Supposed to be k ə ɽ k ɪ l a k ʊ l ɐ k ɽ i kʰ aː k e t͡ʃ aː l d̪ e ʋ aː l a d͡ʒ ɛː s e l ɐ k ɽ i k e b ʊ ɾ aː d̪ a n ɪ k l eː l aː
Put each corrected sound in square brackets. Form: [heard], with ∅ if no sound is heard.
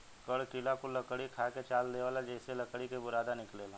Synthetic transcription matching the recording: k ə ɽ k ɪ l a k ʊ l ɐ k ɽ i kʰ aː k e t͡ʃ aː l d̪ e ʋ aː l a d͡ʒ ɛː s e l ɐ k ɽ i k e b ʊ ɾ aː d̪ a n ɪ k l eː l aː